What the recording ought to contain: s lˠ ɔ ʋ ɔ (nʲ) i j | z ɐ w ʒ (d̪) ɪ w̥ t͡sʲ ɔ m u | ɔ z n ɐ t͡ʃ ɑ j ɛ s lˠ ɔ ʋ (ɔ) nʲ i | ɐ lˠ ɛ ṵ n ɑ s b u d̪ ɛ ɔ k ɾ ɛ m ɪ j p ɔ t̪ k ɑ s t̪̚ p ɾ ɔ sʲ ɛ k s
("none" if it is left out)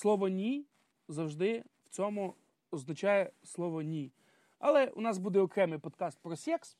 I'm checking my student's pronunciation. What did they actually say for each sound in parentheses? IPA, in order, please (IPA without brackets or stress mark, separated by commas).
nʲ, d̪, ɔ